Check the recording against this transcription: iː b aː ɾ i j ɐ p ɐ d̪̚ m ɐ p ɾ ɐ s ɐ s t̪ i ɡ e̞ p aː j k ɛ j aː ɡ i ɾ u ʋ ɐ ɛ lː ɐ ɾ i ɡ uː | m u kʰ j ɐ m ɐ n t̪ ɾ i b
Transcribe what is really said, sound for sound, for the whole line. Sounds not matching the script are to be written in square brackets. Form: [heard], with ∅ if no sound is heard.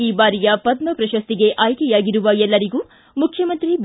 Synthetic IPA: iː b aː ɾ i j ɐ p ɐ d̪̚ m ɐ p ɾ ɐ [ʃ] ɐ s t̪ i ɡ e̞ [ʔ] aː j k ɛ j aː ɡ i ɾ u ʋ ɐ ɛ lː ɐ ɾ i ɡ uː | m u kʰ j ɐ m ɐ n t̪ ɾ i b